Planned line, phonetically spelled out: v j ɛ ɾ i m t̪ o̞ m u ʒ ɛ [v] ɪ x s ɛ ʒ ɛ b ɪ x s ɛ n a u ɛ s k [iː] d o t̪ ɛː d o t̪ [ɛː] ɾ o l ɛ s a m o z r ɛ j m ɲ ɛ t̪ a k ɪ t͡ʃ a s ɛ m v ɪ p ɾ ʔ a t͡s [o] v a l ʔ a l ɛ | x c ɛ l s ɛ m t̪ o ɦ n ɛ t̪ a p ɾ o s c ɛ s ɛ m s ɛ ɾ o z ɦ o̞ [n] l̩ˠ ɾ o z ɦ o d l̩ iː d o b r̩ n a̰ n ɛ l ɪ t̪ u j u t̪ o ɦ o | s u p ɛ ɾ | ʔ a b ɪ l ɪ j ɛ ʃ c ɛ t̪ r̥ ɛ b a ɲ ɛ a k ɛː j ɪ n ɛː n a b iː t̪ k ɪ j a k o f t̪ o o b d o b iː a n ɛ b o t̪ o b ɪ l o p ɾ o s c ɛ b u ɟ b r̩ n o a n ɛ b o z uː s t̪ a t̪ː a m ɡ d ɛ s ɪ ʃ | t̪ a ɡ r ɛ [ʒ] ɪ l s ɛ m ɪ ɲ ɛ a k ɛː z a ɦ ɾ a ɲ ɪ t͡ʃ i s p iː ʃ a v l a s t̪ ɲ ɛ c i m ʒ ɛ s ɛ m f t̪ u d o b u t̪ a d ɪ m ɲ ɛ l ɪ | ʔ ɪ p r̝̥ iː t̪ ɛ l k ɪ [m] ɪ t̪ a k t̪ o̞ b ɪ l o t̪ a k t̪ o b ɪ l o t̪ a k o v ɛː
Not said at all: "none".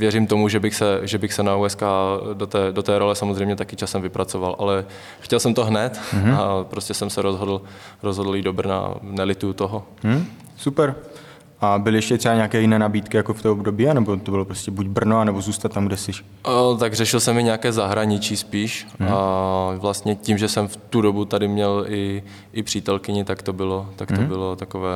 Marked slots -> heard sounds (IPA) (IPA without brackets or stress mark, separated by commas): b, aː, ɛː, o, d, ʃ, ɲ